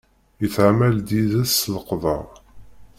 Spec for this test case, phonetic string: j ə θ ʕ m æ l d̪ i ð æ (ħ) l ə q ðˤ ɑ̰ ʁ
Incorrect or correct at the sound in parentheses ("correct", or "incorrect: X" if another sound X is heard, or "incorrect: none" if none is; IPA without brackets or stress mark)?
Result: incorrect: s